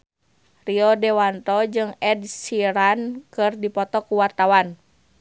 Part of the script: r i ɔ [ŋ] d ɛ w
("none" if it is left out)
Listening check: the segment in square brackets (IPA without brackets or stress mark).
none